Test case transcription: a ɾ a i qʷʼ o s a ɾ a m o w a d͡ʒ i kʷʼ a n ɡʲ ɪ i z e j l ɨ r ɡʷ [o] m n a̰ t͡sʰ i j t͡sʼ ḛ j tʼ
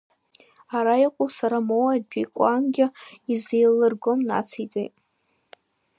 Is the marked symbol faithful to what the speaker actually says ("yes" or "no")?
yes